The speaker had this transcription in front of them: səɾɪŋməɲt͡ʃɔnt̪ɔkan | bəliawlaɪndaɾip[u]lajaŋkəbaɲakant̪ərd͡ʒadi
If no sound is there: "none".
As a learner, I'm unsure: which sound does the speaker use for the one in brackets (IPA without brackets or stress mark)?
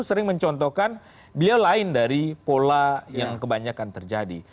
o